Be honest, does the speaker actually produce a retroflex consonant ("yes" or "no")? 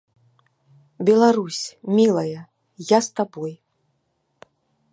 no